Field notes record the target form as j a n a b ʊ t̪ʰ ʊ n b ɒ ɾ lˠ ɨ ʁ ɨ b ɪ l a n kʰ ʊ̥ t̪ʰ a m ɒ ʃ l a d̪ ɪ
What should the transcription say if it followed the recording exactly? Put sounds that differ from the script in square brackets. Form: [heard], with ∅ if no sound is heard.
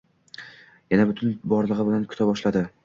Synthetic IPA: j a n a b ʊ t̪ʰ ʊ n b ɒ ɾ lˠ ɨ ʁ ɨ b ɪ l a n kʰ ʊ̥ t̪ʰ a [b] ɒ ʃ l a d̪ ɪ